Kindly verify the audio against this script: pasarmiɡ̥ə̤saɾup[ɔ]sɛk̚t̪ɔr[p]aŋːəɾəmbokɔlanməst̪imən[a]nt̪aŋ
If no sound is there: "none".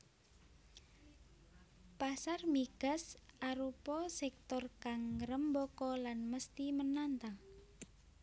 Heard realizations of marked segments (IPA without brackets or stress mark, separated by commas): ɔ, k, a